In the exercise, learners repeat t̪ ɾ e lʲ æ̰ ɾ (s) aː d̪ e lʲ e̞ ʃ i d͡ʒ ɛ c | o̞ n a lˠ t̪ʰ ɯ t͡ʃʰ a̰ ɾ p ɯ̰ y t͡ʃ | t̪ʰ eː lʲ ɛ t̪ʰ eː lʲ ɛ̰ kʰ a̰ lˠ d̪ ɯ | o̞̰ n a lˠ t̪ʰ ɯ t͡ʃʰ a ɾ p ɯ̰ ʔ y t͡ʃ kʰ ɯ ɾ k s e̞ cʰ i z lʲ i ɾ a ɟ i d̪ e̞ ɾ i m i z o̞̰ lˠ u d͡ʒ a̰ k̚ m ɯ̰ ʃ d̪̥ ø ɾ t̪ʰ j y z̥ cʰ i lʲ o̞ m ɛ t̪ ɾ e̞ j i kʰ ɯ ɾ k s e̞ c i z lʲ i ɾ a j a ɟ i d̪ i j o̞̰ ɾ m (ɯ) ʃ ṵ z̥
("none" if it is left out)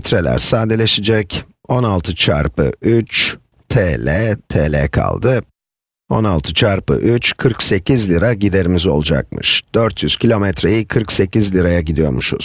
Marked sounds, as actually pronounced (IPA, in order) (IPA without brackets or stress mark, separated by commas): s, u